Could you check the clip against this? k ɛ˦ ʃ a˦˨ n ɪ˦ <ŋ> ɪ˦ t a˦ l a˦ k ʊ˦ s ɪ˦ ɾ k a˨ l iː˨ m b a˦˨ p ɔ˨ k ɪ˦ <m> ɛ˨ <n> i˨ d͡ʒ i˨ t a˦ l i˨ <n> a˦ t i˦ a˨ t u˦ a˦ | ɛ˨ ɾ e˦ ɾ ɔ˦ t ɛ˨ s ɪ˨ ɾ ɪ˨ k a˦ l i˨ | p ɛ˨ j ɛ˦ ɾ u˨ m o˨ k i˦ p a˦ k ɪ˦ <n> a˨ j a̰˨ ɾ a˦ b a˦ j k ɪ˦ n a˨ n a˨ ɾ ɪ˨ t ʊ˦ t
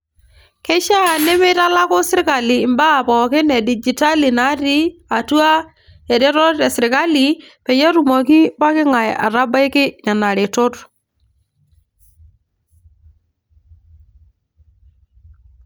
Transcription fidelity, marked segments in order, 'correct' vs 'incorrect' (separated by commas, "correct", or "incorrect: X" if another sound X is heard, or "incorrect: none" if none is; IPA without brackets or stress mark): incorrect: m, incorrect: n, incorrect: d, correct, incorrect: ŋ